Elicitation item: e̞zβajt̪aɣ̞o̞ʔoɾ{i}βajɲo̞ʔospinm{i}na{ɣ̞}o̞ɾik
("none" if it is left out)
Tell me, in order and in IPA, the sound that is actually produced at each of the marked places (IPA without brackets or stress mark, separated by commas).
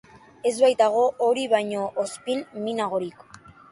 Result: i, i, ɣ̞